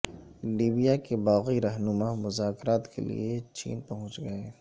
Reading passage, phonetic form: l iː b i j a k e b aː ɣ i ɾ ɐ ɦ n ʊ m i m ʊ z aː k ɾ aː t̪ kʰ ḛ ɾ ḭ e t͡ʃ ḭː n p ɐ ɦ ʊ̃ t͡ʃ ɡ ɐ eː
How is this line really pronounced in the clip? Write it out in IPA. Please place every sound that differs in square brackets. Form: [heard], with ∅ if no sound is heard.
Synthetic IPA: l iː b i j a k e b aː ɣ i ɾ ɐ ɦ n ʊ m [a] m ʊ z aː k ɾ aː t̪ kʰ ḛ [l] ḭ e t͡ʃ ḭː n p ɐ ɦ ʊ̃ t͡ʃ ɡ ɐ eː